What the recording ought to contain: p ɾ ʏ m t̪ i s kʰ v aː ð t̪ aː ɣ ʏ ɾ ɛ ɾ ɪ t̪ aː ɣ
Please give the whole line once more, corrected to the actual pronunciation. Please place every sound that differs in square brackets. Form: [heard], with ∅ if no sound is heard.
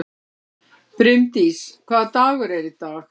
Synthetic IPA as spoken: p ɾ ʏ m t̪ i s kʰ v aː ð t̪ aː ɣ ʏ ɾ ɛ ɾ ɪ t̪ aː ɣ